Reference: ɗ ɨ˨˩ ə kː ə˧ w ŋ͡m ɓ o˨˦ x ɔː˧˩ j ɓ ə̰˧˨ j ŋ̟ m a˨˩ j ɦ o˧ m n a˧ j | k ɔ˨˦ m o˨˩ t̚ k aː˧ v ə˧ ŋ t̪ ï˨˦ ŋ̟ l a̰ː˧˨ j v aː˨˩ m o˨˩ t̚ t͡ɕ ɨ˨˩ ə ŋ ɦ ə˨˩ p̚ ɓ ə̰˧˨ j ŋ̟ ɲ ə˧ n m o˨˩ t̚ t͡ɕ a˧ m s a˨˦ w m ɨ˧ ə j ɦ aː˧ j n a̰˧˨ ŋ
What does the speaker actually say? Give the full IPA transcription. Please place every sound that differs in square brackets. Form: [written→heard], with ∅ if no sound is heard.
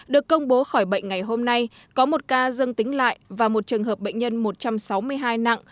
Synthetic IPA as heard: ɗ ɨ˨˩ ə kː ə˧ w ŋ͡m ɓ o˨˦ x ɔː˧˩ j ɓ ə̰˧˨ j ŋ̟ [m→ŋ] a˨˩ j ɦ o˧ m n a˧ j | k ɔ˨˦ m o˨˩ t̚ k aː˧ [v→z] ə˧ ŋ t̪ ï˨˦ ŋ̟ l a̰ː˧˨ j v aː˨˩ m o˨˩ t̚ t͡ɕ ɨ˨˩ ə ŋ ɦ [ə˨˩→əː˨˩] p̚ ɓ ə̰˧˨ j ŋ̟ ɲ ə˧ n m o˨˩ t̚ t͡ɕ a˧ m s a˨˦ w m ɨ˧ ə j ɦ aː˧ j n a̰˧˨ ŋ